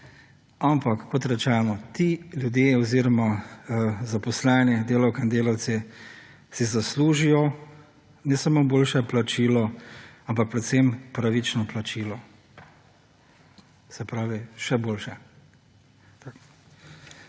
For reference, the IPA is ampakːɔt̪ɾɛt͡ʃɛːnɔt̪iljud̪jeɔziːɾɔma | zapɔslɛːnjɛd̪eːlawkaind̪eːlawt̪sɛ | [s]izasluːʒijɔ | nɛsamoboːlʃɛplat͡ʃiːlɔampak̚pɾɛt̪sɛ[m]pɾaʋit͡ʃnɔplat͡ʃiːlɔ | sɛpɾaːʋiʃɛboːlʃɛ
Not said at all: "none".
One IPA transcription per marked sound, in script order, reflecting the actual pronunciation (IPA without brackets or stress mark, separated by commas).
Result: s, m